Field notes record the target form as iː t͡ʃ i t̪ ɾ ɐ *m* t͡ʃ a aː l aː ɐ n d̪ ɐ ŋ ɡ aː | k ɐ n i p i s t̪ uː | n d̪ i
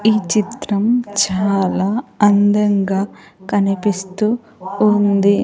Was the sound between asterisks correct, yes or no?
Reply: yes